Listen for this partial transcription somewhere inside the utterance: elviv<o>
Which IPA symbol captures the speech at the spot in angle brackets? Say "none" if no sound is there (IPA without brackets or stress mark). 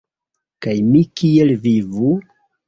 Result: u